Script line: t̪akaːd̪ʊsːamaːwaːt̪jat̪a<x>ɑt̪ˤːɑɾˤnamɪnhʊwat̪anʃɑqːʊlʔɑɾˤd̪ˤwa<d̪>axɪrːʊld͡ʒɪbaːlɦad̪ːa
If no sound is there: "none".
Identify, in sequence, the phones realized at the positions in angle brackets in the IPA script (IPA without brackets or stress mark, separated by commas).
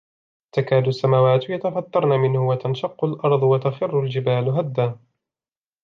f, t̪